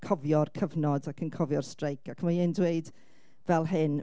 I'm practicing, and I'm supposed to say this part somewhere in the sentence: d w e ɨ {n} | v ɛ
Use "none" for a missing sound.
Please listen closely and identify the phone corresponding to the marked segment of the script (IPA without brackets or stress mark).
d